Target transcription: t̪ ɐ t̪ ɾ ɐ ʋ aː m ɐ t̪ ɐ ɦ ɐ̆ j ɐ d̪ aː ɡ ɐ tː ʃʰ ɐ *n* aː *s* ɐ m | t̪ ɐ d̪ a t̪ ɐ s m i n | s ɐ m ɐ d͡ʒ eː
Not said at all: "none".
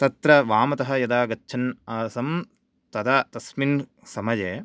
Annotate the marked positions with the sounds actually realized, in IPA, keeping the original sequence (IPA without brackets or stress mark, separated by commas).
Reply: n, s